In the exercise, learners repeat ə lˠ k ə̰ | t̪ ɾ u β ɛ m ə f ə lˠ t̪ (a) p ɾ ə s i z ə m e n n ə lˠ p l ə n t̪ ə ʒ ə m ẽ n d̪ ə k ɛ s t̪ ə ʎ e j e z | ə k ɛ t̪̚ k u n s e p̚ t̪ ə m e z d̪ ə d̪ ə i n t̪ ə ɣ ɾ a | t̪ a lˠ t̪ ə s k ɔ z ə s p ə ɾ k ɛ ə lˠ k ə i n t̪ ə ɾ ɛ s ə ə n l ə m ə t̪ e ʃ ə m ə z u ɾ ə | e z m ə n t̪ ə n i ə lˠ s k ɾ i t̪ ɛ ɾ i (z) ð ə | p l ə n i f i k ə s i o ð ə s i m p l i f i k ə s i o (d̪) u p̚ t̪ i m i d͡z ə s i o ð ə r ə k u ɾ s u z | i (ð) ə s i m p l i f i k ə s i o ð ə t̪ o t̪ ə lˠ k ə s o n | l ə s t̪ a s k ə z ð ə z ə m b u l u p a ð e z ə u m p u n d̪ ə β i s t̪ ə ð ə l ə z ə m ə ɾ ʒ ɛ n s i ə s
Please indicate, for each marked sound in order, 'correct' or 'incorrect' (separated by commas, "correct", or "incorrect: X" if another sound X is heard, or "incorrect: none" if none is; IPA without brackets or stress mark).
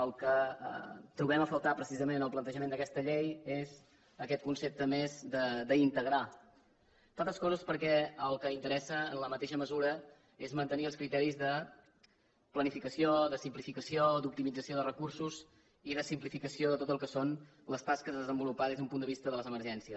correct, correct, correct, correct